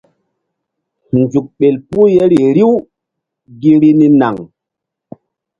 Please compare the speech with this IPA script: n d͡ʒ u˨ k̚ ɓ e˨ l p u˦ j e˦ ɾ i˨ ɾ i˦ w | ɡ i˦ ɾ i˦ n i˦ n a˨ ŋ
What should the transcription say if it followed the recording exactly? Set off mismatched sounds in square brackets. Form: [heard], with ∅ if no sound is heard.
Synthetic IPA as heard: n d͡ʒ u˨ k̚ ɓ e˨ l p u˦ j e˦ ɾ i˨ ɾ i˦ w | ɡ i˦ ɾ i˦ n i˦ n a˨ ŋ

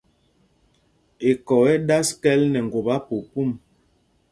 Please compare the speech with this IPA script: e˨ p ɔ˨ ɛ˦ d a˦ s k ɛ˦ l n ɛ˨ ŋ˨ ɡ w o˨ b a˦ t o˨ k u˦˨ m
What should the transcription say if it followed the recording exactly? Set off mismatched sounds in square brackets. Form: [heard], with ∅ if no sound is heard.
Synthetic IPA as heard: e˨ [k] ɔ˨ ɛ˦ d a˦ s k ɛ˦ l n ɛ˨ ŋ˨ ɡ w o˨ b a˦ [p] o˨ [p] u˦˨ m

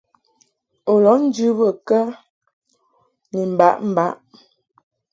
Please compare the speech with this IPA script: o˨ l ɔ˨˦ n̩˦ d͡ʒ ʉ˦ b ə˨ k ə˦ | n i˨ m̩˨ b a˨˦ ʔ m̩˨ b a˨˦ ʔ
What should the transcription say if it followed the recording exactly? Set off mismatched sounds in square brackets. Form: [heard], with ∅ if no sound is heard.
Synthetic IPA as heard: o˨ l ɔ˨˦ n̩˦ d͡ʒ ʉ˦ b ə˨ k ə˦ | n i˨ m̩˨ b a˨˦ ʔ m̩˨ b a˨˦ ʔ

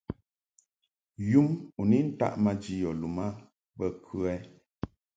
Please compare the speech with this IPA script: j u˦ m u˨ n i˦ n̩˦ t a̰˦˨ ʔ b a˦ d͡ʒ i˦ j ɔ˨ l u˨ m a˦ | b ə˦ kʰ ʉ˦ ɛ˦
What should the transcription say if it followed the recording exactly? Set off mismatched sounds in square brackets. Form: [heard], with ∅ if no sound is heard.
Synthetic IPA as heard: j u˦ m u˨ n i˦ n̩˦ t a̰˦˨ ʔ [m] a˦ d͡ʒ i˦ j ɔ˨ l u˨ m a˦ | b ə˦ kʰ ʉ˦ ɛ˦

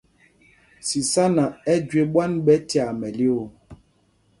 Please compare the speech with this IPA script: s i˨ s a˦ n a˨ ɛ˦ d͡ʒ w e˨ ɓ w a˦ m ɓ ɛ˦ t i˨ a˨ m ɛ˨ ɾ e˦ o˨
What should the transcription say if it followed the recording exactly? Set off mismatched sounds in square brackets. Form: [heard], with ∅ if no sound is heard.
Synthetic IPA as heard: s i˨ s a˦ n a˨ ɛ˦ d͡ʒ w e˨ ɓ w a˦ [n] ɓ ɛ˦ t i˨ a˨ m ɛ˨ [l] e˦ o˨

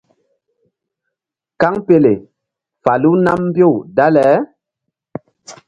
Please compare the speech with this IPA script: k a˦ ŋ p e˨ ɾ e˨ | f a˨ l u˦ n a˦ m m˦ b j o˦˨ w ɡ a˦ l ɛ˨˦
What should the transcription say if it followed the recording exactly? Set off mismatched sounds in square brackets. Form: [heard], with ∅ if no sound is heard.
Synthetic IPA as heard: k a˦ ŋ p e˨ [l] e˨ | f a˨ l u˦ n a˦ m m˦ b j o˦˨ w [d] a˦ l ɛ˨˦

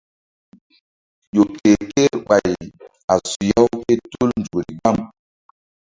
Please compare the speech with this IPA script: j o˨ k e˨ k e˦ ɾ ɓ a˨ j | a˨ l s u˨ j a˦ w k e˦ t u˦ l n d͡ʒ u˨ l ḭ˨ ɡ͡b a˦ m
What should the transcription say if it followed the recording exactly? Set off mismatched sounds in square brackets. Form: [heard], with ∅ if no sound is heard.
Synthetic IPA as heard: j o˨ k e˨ k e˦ ɾ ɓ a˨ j | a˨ [∅] s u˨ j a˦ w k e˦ t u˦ l n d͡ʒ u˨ [ɾ] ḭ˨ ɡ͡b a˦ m

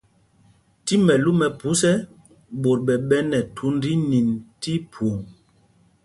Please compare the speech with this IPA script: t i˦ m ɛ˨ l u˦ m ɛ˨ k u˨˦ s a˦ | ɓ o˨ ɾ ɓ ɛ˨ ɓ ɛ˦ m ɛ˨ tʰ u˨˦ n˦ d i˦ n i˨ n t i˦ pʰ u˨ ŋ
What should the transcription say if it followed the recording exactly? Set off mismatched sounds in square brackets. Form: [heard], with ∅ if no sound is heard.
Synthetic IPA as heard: t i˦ m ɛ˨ l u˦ m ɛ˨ [p] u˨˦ s [ɛ˦] | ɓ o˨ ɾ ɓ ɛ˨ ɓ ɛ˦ [n] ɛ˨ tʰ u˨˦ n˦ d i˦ n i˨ n t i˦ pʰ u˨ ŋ

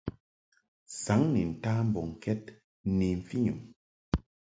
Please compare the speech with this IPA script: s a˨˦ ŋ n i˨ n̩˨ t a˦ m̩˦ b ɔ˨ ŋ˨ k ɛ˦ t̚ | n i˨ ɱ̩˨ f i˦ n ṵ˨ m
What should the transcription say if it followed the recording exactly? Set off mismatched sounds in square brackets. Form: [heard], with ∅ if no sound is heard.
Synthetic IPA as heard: s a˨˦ ŋ n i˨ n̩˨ t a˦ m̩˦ b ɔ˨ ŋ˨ k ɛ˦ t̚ | n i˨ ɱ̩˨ f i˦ [ɲ] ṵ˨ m

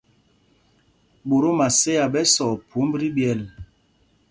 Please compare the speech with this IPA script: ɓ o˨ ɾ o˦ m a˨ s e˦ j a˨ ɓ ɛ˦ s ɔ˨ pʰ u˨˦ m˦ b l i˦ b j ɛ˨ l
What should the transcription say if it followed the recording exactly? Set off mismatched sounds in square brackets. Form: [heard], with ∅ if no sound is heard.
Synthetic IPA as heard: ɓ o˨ ɾ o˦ m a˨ s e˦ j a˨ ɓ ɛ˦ s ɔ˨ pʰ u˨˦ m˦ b [ɾ] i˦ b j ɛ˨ l

